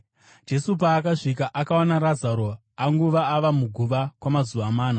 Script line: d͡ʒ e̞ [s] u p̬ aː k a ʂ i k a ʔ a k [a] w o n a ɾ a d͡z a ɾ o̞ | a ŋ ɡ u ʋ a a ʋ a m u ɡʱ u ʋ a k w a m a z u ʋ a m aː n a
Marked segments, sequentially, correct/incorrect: correct, correct

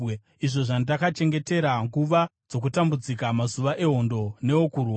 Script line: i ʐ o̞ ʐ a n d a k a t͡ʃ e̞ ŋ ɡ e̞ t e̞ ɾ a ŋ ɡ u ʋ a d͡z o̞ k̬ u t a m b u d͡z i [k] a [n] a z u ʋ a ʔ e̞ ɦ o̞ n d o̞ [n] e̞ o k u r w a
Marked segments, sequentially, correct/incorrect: correct, incorrect, correct

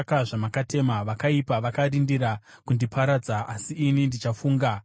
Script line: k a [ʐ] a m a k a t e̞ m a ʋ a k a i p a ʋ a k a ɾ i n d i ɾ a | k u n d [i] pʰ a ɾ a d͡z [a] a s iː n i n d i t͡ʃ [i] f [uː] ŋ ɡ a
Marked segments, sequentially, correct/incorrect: correct, correct, correct, incorrect, correct

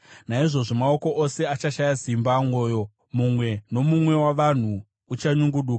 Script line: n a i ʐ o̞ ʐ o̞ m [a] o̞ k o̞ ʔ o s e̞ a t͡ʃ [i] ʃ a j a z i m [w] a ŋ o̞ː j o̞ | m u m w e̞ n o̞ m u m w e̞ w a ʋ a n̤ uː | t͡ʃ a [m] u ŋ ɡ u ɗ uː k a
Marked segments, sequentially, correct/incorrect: correct, incorrect, incorrect, incorrect

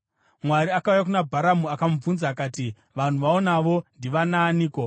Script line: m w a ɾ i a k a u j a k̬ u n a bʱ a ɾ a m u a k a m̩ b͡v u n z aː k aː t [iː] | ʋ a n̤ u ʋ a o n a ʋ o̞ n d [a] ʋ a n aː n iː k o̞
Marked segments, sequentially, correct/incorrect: incorrect, incorrect

